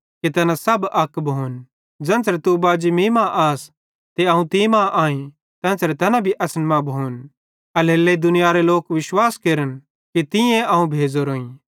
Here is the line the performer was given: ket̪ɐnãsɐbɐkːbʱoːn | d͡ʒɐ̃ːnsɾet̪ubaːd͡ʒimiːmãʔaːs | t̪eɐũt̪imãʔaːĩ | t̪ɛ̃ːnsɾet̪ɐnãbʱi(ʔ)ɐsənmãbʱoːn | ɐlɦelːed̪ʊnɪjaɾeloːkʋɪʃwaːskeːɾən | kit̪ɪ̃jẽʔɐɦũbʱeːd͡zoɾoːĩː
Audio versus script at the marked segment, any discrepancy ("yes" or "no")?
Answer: no